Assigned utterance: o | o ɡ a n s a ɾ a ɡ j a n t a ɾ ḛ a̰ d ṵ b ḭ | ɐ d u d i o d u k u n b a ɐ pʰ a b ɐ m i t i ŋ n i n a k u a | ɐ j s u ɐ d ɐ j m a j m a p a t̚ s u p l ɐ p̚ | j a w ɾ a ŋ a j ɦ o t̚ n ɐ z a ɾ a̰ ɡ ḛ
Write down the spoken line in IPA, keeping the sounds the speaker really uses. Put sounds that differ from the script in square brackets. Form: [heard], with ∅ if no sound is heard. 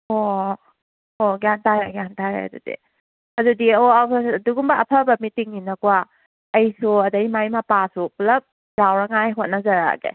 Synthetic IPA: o | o ɡ a n [t] a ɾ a ɡ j a n t a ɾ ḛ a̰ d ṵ [d] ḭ | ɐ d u d i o d u [ɡ] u [m] b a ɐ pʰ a b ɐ m i t i ŋ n i n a k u a | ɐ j s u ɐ d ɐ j m a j m a p a [∅] s u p l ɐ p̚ | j a w ɾ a ŋ a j ɦ o t̚ n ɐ z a ɾ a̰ ɡ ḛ

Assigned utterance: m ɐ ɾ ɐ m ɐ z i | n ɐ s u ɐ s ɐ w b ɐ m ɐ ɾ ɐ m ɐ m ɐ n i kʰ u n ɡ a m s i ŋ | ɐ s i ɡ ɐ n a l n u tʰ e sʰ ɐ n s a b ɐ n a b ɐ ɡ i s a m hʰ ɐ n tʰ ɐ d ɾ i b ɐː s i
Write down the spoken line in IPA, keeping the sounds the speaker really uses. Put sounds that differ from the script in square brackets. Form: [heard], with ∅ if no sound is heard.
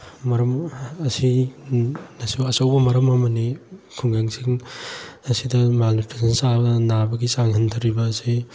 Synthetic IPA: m ɐ ɾ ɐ m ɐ [s] i | n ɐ s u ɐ s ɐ w b ɐ m ɐ ɾ ɐ m ɐ m ɐ n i kʰ u [ŋ] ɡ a [ŋ] s i ŋ | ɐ s i [d] ɐ [m] a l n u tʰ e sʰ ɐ n s a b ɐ n a b ɐ ɡ i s a [ŋ] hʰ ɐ n tʰ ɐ [∅] ɾ i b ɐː s i

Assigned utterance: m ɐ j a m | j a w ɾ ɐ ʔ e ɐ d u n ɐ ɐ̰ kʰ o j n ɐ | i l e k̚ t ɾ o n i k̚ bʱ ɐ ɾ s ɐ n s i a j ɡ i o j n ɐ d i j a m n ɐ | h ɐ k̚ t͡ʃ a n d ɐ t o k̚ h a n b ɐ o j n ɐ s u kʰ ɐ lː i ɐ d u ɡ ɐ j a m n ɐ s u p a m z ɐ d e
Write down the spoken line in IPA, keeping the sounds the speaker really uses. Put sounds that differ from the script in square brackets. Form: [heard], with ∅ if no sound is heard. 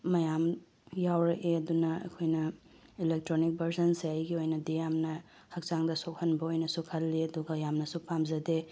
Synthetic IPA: m ɐ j a m | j a w ɾ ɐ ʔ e ɐ d u n ɐ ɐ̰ kʰ o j n ɐ | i l e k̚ t ɾ o n i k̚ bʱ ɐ ɾ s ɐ n s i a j ɡ i o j n ɐ d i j a m n ɐ | h ɐ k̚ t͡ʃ a [ŋ] d ɐ [s] o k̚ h [ɐ] n b ɐ o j n ɐ s u kʰ ɐ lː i ɐ d u ɡ ɐ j a m n ɐ s u p a m z ɐ d e

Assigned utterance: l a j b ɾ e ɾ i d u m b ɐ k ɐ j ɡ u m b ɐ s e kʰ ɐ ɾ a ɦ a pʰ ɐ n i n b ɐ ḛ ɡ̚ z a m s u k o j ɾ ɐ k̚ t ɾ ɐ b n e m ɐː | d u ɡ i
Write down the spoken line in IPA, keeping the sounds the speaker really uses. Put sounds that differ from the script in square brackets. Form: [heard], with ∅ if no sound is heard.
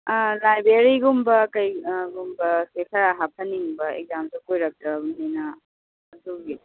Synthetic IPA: l a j b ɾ e ɾ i [ɡ] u m b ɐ k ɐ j ɡ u m b ɐ s e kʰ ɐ ɾ a ɦ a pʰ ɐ n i [ŋ] b ɐ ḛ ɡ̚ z a m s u k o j ɾ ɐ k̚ t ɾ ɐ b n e [n] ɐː | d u ɡ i

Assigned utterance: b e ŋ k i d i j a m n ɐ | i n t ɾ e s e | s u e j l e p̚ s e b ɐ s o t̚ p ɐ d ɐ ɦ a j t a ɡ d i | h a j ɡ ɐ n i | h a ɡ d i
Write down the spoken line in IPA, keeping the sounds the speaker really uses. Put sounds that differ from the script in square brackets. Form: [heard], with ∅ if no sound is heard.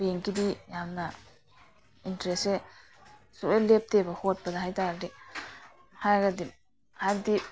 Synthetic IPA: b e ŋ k i d i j a m n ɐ | i n t ɾ e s e | s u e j l e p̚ [t] e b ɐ [h] o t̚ p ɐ d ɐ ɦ a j t a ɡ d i | h a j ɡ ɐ [d] i | h a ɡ d i

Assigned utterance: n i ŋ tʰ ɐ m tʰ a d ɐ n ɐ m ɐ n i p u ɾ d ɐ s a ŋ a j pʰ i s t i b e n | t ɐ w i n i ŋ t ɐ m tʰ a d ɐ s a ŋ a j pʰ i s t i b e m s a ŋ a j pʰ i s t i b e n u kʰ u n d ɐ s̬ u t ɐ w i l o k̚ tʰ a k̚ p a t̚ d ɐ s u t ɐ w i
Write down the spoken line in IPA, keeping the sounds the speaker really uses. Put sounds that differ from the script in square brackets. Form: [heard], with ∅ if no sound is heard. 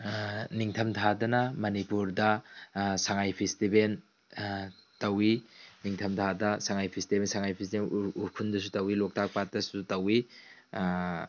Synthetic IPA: n i ŋ tʰ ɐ m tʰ a d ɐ n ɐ m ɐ n i p u ɾ d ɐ s a ŋ a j pʰ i s t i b e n | t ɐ w i n i ŋ [tʰ] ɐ m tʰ a d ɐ s a ŋ a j pʰ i s t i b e [n] s a ŋ a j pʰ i s t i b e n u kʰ u n d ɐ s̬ u t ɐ w i l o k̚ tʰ a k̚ p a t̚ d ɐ s u t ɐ w i

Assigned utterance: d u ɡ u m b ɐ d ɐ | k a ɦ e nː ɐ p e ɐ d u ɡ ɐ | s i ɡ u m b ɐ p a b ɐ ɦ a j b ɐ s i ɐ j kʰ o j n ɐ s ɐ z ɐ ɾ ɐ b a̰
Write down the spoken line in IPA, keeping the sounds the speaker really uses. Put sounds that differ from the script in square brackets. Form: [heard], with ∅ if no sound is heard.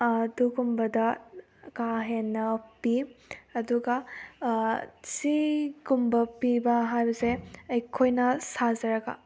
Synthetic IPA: d u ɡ u m b ɐ d ɐ | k a ɦ e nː ɐ p [i] ɐ d u ɡ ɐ | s i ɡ u m b ɐ p [i] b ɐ ɦ a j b ɐ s [e] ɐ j kʰ o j n ɐ s [a] z ɐ ɾ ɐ [ɡ] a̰

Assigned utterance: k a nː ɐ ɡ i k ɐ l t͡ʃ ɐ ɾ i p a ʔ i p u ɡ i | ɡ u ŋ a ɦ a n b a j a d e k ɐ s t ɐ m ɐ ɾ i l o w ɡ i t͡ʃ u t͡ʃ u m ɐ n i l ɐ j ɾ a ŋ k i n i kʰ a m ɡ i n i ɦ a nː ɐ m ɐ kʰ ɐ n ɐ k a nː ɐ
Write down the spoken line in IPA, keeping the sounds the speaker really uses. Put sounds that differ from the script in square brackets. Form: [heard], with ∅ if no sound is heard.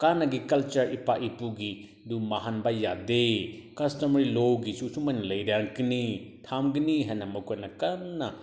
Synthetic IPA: k a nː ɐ ɡ i k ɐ l t͡ʃ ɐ ɾ i p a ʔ i p u ɡ i | [d] u [m] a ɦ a n b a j a d e k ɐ s t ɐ m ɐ ɾ i l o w ɡ i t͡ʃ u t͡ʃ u m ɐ n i l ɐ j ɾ a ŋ k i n i [tʰ] a m ɡ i n i ɦ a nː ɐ m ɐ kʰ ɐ n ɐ k a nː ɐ

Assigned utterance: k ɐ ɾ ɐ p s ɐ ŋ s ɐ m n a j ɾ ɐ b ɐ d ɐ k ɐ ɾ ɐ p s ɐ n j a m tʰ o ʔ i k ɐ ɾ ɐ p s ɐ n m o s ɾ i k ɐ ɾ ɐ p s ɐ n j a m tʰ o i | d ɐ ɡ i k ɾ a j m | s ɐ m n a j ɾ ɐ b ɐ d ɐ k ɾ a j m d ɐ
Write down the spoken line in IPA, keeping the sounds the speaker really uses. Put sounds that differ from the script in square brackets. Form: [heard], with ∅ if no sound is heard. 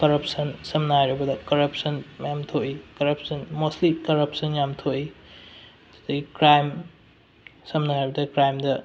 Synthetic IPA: k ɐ ɾ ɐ p s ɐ [n] s ɐ m n a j ɾ ɐ b ɐ d ɐ k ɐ ɾ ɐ p s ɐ n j a m tʰ o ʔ i k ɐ ɾ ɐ p s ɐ n m o s [l] i k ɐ ɾ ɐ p s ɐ n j a m tʰ o i | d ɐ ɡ i k ɾ a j m | s ɐ m n a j ɾ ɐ b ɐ d ɐ k ɾ a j m d ɐ

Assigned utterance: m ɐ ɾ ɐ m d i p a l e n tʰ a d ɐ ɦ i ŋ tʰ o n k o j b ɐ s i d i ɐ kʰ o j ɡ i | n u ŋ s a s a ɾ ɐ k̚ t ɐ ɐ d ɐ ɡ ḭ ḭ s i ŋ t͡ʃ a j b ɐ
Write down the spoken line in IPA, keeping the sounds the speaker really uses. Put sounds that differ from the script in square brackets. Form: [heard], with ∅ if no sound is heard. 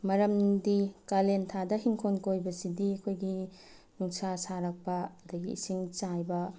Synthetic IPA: m ɐ ɾ ɐ m d i [k] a l e n tʰ a d ɐ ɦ i ŋ [kʰ] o n k o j b ɐ s i d i ɐ kʰ o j ɡ i | n u ŋ s a s a ɾ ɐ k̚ [p] ɐ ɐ d ɐ ɡ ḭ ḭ s i ŋ t͡ʃ a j b ɐ

